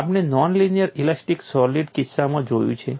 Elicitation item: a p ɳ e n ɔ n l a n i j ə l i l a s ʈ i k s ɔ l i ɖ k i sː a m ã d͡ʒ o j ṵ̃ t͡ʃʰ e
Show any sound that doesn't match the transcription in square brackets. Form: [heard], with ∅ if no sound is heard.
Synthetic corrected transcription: a p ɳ e n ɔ n l [i] n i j ə [ɾ] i l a s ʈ i k s ɔ l i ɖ k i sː a m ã d͡ʒ o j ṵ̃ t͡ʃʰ e